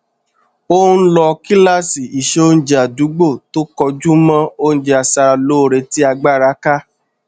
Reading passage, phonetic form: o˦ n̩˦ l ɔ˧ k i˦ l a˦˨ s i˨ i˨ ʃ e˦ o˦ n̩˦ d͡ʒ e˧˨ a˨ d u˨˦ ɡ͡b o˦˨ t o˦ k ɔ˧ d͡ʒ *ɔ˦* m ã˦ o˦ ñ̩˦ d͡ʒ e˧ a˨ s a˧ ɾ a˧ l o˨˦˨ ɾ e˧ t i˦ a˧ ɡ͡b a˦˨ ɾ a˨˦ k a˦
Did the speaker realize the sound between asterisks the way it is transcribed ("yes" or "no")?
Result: no